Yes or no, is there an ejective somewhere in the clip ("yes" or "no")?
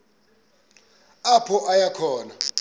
no